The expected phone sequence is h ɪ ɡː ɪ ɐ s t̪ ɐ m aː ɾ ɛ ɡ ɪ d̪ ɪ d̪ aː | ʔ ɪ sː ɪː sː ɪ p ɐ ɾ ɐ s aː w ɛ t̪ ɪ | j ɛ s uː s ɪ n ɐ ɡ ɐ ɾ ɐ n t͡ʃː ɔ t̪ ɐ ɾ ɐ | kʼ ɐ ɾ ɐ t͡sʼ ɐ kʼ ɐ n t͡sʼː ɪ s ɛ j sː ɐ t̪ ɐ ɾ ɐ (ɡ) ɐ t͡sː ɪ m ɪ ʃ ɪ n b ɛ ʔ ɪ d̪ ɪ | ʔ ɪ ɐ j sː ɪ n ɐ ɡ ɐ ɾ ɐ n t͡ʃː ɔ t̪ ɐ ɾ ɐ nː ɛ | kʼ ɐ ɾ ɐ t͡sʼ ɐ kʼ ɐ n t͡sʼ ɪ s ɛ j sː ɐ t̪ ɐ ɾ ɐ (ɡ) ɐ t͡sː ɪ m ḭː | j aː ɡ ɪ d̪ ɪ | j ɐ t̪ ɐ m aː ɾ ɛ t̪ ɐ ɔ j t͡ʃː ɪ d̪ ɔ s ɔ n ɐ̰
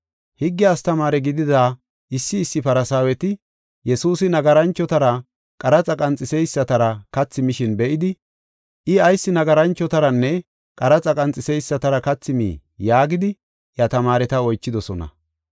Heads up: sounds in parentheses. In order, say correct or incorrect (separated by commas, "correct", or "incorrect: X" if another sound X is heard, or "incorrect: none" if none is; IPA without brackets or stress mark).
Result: incorrect: k, incorrect: k